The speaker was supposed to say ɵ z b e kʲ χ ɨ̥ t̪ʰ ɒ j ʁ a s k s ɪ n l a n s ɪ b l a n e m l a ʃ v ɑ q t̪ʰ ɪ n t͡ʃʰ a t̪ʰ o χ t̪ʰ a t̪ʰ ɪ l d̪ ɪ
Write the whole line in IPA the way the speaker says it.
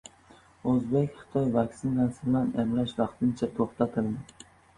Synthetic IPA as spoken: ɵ z b e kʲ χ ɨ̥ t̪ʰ ɒ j v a k s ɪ n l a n s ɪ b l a n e m l a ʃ v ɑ q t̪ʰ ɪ n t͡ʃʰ a t̪ʰ o χ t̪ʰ a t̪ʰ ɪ l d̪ ɪ